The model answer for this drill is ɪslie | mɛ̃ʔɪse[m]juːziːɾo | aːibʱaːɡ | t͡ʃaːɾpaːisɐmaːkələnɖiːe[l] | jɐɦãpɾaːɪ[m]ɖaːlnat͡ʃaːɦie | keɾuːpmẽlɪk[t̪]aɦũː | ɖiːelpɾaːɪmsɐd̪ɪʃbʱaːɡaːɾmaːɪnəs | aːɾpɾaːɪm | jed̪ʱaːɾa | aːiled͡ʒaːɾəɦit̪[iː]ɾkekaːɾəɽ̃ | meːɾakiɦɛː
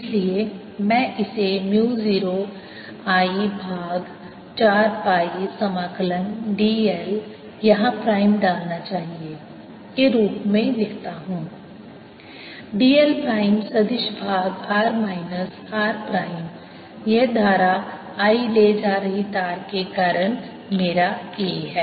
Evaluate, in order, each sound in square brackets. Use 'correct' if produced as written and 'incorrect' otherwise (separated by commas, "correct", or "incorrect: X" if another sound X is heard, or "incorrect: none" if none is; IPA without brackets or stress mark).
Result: correct, correct, correct, correct, incorrect: aː